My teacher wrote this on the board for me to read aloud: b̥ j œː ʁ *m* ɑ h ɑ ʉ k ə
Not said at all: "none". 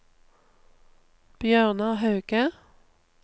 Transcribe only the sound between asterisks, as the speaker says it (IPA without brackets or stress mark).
n